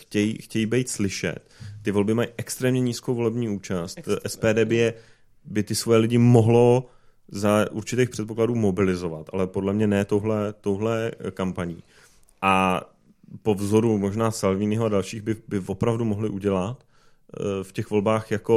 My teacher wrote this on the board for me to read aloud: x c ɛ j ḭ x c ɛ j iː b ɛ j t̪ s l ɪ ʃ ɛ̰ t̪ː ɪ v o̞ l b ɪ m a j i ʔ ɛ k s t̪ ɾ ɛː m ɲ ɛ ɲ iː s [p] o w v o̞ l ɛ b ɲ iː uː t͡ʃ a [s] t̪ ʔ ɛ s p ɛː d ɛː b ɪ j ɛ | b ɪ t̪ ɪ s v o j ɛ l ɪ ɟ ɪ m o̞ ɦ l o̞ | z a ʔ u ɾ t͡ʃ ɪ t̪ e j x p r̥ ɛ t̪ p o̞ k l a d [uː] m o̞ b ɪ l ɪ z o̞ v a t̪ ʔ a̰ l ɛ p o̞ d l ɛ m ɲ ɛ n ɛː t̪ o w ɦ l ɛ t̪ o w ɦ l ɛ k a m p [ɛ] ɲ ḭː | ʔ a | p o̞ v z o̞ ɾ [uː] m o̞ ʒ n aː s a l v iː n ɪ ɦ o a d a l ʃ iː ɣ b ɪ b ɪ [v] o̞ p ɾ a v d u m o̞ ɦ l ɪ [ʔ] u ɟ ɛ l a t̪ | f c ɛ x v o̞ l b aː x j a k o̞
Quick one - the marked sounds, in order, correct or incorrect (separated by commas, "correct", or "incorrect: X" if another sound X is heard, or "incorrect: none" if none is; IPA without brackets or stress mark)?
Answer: incorrect: k, correct, correct, incorrect: a, incorrect: u, correct, correct